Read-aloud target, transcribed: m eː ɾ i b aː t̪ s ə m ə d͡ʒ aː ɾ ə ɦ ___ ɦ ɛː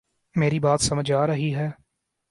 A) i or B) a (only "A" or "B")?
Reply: A